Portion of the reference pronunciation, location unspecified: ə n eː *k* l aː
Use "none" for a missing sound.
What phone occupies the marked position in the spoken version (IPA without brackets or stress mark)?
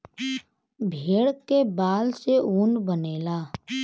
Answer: none